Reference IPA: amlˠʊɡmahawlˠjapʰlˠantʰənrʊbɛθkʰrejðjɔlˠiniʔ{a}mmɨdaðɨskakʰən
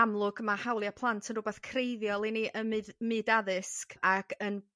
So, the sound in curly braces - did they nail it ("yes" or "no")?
no